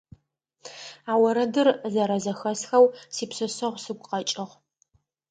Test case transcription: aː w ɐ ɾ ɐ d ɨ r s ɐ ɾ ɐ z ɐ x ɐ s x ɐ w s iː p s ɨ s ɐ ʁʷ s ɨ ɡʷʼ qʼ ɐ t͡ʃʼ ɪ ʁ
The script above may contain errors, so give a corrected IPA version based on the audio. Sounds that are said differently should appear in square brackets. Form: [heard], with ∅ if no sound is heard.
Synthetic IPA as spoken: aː w ɐ ɾ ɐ d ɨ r [z] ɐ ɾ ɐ z ɐ x ɐ s x ɐ w s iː p s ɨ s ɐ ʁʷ s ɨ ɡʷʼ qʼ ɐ t͡ʃʼ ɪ ʁ